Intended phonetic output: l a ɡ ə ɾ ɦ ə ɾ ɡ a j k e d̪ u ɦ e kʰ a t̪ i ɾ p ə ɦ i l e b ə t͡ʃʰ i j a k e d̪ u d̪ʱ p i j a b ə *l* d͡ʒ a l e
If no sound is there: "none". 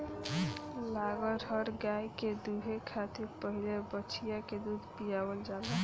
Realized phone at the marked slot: l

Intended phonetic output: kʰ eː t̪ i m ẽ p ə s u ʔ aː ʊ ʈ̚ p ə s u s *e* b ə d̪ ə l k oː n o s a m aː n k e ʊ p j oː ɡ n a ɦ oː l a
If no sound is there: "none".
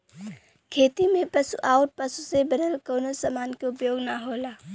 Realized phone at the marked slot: e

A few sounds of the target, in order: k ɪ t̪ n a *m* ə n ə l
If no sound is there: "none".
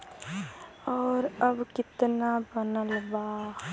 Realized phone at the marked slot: b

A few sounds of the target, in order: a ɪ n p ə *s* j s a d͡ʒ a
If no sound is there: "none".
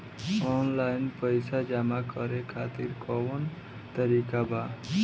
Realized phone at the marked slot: none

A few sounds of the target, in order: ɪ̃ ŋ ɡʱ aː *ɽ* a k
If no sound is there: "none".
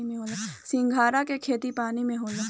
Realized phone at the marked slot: ɾ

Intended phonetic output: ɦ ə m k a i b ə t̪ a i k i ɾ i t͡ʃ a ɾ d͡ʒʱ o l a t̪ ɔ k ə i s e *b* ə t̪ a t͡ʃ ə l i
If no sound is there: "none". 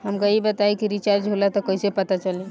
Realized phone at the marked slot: p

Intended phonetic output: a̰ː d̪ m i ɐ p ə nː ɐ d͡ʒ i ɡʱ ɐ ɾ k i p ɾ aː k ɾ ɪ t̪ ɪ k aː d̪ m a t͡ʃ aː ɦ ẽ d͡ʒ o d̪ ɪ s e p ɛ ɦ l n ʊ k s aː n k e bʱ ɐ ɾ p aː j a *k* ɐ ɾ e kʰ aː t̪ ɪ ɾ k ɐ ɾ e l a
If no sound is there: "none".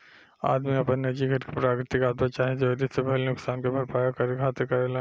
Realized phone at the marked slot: k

